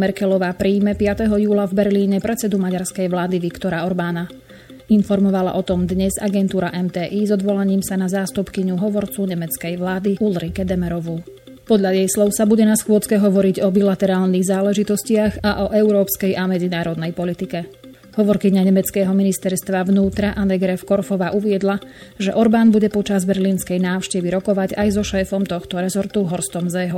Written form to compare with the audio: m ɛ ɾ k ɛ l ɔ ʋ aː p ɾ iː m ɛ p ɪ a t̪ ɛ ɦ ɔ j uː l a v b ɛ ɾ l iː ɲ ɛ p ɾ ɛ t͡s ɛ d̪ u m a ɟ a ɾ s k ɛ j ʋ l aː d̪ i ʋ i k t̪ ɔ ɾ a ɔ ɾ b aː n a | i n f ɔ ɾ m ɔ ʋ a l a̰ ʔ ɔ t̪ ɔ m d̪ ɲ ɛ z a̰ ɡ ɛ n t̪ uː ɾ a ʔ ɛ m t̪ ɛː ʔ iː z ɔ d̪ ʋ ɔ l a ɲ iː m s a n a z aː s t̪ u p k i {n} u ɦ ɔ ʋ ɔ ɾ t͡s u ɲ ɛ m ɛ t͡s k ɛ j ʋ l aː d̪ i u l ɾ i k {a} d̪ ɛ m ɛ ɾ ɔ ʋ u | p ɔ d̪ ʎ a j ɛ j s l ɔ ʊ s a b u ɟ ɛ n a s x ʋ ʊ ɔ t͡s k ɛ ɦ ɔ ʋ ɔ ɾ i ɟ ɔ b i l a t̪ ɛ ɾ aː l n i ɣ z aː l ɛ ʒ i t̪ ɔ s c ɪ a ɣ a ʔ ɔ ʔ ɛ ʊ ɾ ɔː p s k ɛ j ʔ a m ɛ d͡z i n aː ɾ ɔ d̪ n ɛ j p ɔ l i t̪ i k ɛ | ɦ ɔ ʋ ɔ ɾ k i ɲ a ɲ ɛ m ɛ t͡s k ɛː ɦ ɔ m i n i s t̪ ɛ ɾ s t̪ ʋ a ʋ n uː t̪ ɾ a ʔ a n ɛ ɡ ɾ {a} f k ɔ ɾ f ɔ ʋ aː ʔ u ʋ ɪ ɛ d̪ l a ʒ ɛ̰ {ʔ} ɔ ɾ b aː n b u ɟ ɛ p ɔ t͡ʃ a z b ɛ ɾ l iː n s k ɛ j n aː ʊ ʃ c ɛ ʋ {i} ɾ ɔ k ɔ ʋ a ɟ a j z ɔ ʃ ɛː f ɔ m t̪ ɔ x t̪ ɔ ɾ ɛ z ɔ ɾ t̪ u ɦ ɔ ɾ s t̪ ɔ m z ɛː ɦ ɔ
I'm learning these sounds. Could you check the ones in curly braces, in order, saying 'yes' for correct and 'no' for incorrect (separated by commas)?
no, no, no, yes, yes